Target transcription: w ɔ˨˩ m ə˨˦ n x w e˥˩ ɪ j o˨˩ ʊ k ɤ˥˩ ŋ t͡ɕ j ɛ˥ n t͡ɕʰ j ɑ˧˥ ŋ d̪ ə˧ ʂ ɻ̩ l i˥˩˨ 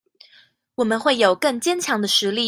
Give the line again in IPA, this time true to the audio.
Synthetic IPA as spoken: w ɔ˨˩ m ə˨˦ n x w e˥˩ ɪ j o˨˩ ʊ k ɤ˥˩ ŋ t͡ɕ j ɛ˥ n t͡ɕʰ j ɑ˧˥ ŋ d̪ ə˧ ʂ ɻ̩ l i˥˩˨